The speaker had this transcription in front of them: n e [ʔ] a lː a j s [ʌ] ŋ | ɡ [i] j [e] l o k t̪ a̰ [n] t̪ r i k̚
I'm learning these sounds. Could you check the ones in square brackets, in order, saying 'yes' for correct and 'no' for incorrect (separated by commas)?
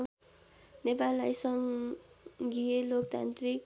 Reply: no, yes, yes, yes, yes